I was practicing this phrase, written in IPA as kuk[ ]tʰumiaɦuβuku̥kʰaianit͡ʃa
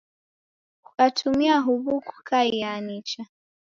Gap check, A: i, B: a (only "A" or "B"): B